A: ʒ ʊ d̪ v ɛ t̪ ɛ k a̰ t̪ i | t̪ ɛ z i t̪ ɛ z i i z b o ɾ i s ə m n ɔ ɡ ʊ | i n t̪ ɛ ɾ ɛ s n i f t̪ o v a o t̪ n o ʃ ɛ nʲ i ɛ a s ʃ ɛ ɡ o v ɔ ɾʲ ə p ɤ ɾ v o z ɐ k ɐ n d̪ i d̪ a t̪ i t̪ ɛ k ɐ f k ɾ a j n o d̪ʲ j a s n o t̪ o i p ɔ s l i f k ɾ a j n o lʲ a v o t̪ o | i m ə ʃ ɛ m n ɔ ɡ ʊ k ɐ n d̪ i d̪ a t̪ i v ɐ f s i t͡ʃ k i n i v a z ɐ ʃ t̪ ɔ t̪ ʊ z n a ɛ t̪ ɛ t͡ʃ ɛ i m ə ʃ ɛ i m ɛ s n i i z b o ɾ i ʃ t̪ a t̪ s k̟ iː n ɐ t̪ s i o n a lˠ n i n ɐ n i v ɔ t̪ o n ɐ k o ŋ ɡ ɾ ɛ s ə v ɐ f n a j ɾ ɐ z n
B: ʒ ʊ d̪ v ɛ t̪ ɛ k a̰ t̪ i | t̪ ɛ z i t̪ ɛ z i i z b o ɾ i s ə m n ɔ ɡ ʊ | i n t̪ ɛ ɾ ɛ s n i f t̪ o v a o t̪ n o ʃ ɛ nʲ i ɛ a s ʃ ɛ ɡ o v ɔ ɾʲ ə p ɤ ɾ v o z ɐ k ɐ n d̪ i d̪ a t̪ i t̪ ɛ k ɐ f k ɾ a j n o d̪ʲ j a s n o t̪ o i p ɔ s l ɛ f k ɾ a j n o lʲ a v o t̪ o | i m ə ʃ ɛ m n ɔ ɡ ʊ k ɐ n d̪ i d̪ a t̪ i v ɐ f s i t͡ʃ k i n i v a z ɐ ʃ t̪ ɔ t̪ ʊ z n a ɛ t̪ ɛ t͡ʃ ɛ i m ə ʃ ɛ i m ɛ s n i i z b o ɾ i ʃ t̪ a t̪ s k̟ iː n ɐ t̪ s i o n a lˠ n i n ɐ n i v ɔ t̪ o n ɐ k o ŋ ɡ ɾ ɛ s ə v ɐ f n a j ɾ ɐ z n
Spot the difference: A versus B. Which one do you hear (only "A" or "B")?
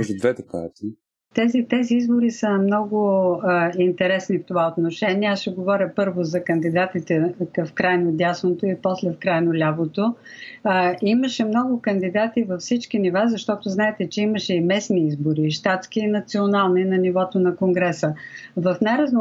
B